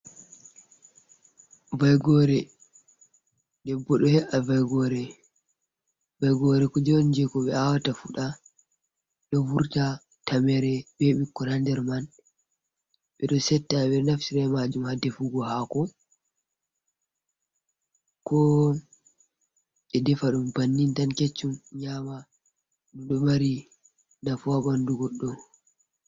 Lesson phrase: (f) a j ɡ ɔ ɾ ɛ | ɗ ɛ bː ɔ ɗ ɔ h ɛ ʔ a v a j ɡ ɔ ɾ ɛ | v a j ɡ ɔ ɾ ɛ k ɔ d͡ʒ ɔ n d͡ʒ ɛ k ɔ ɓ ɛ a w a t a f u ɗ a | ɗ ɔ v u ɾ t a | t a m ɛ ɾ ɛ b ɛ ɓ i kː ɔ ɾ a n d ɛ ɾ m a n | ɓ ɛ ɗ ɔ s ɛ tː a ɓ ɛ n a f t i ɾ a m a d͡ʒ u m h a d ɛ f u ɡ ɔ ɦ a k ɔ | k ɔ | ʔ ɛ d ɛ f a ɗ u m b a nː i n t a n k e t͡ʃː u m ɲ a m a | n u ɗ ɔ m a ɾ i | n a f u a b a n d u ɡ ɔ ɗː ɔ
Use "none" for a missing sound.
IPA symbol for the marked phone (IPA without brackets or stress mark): v